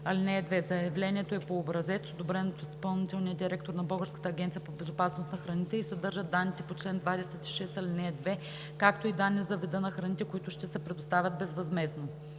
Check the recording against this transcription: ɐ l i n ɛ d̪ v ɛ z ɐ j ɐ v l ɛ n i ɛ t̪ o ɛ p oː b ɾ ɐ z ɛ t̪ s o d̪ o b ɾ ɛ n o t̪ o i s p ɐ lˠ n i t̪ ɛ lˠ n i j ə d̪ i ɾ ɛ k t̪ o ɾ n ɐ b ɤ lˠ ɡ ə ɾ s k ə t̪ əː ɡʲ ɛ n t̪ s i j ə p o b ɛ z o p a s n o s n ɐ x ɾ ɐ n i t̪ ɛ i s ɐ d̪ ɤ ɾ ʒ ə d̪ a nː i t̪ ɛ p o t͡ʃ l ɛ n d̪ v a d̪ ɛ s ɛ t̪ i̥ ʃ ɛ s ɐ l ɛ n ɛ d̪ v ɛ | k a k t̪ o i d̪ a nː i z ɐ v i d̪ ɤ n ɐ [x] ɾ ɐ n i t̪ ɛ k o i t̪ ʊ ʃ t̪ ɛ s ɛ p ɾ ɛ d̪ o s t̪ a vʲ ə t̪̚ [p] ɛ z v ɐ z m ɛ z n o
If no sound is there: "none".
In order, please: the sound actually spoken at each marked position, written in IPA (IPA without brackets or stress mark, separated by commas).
x, b